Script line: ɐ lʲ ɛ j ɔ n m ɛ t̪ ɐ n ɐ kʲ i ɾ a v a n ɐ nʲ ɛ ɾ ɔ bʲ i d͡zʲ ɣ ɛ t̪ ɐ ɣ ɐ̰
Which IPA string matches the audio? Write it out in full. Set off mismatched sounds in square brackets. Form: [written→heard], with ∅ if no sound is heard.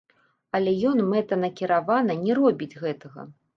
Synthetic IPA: ɐ lʲ ɛ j ɔ n m ɛ t̪ ɐ n ɐ kʲ i ɾ a v a n ɐ nʲ ɛ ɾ ɔ bʲ i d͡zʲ ɣ ɛ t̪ ɐ ɣ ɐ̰